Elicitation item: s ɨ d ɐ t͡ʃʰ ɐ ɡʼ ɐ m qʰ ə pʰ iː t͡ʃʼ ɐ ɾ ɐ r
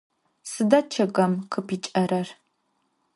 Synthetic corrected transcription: s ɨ d ɐ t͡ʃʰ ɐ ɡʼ ɐ m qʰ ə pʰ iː t͡ʃʼ ɐ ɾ ɐ r